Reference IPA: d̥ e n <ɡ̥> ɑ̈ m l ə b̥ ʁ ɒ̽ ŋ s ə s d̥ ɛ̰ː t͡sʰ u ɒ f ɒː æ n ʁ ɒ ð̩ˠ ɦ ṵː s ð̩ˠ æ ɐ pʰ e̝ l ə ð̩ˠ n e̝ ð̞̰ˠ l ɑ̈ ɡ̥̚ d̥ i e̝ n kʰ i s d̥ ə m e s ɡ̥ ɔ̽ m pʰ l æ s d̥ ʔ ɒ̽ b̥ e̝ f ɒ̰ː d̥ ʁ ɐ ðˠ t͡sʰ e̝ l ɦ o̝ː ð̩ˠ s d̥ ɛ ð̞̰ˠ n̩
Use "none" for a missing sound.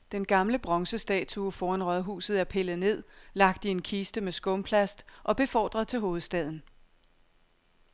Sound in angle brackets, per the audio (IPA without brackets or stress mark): ɡ̥